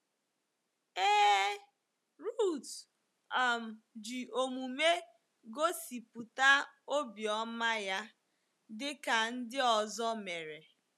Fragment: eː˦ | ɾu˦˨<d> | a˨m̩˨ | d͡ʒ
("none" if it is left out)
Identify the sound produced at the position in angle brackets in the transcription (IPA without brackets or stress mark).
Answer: t